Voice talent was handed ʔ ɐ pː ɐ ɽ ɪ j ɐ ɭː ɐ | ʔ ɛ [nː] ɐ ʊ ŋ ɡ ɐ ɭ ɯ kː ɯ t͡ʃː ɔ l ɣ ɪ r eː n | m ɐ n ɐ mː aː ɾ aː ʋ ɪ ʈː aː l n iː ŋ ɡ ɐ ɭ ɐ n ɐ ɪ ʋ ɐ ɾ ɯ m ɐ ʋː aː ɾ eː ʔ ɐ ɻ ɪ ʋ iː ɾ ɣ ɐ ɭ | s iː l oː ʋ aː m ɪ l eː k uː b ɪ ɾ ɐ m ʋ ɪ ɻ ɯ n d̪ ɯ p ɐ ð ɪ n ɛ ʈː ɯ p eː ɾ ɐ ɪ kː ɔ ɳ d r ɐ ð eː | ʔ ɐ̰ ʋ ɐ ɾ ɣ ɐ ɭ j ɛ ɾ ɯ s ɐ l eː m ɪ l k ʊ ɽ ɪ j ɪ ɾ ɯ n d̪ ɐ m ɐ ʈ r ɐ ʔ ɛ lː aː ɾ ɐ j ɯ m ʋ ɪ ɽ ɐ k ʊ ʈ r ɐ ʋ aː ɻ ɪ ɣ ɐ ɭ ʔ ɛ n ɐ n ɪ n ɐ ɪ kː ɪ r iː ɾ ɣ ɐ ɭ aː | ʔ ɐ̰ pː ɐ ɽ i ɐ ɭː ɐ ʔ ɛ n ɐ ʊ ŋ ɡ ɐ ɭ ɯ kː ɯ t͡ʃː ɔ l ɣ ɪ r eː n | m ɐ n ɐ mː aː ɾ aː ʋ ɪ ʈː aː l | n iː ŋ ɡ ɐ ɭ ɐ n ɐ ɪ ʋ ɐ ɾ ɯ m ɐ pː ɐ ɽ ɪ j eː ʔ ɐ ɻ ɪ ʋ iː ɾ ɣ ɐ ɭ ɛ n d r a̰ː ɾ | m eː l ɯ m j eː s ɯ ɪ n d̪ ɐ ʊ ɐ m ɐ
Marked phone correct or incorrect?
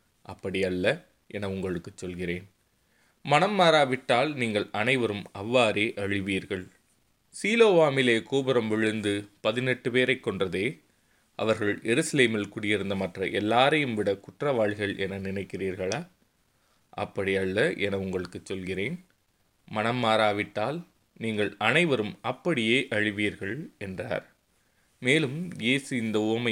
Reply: incorrect